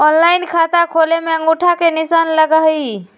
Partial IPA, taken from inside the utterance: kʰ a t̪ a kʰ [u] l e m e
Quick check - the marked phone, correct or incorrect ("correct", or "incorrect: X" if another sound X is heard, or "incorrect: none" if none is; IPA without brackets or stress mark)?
incorrect: o